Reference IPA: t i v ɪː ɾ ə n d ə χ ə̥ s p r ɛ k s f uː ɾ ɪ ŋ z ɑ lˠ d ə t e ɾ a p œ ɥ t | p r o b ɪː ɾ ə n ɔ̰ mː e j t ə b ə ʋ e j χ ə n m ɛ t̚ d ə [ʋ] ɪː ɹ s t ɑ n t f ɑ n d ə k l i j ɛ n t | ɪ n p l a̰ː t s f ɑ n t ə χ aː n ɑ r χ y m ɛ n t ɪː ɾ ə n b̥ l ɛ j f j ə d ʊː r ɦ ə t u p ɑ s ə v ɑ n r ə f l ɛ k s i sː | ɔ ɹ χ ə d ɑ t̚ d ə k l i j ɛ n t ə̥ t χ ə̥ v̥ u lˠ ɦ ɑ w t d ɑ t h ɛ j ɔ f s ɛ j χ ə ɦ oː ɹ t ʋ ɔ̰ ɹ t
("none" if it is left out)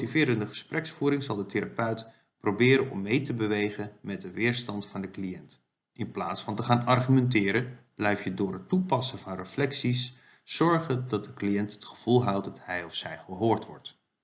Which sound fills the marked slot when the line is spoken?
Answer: ʋ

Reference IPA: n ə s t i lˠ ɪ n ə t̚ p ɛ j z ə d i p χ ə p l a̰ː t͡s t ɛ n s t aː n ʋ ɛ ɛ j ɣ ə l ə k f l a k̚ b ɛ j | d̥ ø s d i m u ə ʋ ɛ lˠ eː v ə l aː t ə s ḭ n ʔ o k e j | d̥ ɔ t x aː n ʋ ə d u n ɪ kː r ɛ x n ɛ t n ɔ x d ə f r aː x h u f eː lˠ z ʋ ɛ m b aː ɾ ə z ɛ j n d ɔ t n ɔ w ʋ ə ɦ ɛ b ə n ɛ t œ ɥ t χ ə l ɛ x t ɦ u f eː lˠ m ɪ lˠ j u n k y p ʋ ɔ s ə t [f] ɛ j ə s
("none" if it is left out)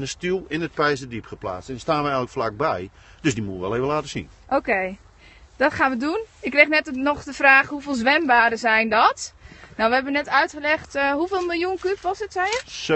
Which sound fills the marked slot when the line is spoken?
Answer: s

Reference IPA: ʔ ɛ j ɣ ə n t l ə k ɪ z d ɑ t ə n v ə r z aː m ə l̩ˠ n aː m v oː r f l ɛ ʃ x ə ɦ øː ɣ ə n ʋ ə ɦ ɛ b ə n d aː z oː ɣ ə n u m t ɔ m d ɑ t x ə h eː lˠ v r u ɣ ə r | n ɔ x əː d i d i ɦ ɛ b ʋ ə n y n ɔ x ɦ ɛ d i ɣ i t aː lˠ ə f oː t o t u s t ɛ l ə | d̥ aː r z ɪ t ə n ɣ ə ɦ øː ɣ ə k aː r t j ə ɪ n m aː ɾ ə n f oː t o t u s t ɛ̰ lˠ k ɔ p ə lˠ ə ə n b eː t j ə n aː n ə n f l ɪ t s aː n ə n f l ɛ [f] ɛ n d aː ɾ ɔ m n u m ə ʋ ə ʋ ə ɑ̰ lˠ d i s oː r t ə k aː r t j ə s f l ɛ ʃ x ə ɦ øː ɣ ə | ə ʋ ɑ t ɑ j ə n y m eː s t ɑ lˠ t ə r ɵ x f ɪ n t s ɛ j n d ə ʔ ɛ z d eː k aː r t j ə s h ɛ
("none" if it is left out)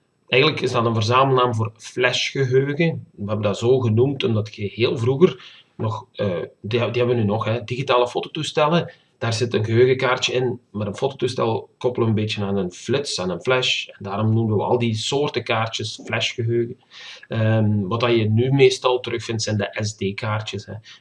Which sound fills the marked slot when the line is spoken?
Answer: ʃ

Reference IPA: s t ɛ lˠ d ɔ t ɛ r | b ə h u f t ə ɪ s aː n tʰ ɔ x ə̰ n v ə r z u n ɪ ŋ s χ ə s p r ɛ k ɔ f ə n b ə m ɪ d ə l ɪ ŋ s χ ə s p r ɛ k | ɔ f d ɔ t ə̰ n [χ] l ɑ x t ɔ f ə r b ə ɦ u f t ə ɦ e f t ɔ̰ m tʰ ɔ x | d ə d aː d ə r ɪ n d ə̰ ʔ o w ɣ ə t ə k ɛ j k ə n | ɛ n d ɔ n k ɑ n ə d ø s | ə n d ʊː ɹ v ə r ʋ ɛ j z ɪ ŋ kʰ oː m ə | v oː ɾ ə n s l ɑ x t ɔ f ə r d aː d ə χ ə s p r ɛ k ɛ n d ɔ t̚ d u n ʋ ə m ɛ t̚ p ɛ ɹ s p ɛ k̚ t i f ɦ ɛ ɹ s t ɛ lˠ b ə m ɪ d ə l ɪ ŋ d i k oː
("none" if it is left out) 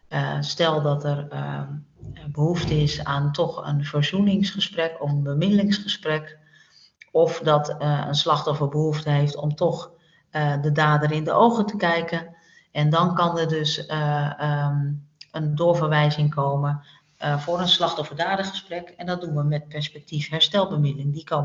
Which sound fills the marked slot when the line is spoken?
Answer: s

